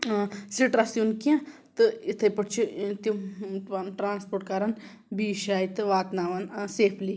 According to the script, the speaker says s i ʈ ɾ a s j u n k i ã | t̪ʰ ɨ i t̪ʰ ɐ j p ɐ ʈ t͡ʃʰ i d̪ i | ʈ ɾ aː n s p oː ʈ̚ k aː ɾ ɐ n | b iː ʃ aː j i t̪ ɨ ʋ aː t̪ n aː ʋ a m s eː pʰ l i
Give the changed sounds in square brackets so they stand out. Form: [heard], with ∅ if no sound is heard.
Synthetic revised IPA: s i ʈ ɾ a s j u n k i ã | [t̪] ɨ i t̪ʰ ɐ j p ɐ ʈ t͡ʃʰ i [t̪] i | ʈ ɾ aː n s p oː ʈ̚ k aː ɾ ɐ n | b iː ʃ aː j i t̪ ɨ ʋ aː t̪ n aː ʋ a [n] s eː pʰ l i